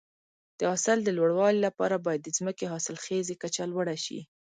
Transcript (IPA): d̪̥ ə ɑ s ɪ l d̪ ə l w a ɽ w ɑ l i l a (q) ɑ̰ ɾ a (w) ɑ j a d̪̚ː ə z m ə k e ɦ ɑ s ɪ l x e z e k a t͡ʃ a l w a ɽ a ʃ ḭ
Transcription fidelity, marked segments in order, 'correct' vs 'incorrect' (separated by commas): incorrect, incorrect